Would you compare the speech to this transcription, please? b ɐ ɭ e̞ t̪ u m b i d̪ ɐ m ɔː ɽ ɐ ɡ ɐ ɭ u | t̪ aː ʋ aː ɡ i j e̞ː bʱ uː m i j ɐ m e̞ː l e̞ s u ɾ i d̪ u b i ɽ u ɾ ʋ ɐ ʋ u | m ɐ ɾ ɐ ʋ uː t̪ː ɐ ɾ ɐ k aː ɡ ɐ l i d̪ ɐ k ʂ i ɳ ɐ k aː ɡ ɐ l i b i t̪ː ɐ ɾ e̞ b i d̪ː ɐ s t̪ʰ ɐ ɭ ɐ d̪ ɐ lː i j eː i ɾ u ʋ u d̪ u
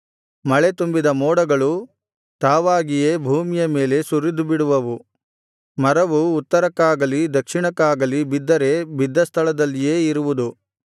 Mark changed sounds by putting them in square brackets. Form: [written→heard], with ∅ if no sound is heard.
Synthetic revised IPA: [b→m] ɐ ɭ e̞ t̪ u m b i d̪ ɐ m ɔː ɽ ɐ ɡ ɐ ɭ u | t̪ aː ʋ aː ɡ i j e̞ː bʱ uː m i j ɐ m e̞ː l e̞ s u ɾ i d̪ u b i ɽ u [ɾ→∅] ʋ ɐ ʋ u | m ɐ ɾ ɐ ʋ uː t̪ː ɐ ɾ ɐ k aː ɡ ɐ l i d̪ ɐ k ʂ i ɳ ɐ k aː ɡ ɐ l i b i [t̪ː→d̪ː] ɐ ɾ e̞ b i d̪ː ɐ s t̪ʰ ɐ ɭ ɐ d̪ ɐ lː i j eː i ɾ u ʋ u d̪ u